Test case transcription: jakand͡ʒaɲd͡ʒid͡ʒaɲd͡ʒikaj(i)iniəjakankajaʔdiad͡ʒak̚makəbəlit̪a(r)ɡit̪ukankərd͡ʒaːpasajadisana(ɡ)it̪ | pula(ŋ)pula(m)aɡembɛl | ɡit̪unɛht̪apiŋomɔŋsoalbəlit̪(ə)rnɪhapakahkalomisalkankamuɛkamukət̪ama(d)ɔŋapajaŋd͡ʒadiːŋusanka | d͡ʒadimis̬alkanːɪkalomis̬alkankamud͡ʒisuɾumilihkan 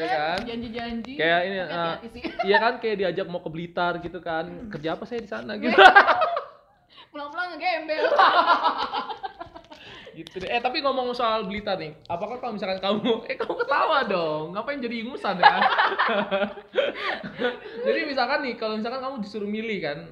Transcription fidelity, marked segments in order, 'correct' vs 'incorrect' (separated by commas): incorrect, correct, correct, correct, incorrect, incorrect, correct